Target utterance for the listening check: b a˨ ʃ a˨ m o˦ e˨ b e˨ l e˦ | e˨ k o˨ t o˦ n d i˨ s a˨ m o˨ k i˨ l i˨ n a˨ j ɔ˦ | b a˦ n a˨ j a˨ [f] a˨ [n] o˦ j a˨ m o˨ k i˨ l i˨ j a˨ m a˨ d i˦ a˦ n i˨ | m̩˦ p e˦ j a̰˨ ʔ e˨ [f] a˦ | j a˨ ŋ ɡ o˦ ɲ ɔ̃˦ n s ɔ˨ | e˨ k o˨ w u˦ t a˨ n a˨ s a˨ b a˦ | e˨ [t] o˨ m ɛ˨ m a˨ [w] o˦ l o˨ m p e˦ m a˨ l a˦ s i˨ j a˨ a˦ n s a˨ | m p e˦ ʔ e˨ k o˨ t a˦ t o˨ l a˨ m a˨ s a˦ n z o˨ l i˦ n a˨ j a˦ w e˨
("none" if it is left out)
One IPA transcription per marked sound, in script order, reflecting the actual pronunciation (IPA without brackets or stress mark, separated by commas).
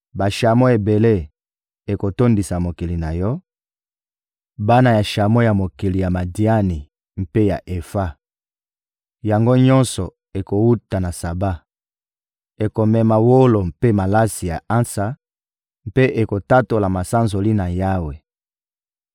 ʃ, m, f, k, w